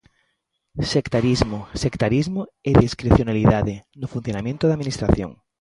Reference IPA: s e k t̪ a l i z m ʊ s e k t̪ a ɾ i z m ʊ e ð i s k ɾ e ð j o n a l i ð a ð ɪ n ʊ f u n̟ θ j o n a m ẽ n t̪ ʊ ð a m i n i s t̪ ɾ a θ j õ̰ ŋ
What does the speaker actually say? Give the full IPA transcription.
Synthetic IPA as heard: s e k t̪ a ɾ i z m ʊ s e k t̪ a ɾ i z m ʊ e ð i s k ɾ e θ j o n a l i ð a ð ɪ n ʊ f u n̟ θ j o n a m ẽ n t̪ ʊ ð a m i n i s t̪ ɾ a θ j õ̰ ŋ